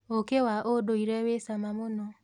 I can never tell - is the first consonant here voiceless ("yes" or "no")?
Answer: yes